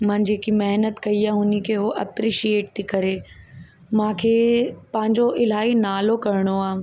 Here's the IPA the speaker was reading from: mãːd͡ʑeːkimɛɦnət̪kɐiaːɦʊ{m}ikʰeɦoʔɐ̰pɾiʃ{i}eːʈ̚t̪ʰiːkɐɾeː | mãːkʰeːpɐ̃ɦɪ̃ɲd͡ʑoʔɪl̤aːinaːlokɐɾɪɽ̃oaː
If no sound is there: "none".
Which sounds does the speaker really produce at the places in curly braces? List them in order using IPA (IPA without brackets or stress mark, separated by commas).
n, i